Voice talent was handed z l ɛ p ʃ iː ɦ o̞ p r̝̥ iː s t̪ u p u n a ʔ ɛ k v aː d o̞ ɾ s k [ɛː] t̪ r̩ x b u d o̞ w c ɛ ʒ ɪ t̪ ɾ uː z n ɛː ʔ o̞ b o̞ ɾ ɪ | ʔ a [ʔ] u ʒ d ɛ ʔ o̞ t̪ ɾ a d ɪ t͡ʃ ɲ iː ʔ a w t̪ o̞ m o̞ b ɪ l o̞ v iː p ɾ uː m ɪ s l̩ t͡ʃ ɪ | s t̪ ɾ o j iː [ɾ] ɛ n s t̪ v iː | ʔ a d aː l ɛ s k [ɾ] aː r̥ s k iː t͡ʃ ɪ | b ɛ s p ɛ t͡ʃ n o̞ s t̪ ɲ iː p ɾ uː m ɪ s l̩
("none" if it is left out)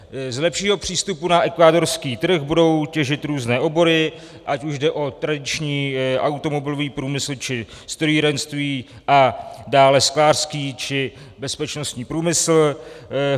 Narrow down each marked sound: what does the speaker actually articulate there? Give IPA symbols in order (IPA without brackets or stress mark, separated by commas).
iː, c, ɾ, l